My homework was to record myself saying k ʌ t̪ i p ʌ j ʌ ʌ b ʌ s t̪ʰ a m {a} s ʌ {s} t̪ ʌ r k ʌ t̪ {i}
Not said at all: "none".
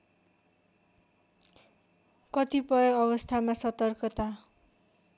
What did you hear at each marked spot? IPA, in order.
a, none, a

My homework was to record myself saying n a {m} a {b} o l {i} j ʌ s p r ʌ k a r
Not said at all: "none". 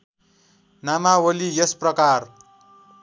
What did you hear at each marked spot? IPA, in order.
m, w, i

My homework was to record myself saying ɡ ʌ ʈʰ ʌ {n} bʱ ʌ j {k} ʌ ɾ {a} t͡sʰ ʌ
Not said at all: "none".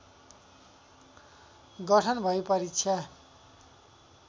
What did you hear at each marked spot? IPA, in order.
n, p, i

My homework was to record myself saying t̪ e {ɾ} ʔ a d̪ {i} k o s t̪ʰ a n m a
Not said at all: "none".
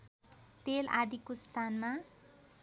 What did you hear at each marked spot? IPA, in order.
l, i

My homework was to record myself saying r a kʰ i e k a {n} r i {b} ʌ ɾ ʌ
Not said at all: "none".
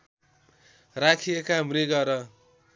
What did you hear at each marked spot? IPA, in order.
m, ɡ

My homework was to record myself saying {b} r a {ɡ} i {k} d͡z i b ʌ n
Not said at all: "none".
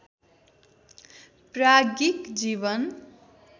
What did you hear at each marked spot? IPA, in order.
p, ɡ, k

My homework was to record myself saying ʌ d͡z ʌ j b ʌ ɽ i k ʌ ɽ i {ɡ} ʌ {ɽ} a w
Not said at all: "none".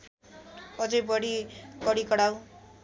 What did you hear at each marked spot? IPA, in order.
k, ɽ

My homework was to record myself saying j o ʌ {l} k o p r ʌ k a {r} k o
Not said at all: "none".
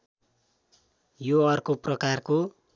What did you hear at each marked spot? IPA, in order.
r, r

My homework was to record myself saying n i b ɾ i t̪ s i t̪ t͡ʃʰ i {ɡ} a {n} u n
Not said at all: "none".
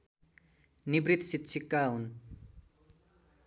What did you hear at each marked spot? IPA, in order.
k, none

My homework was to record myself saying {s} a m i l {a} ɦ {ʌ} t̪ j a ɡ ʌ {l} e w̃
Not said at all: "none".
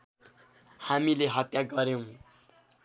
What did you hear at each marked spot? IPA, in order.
h, e, ʌ, ɾ

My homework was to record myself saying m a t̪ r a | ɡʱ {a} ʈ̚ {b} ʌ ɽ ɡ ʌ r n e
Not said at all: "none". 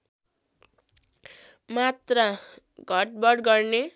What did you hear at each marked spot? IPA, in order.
ʌ, b

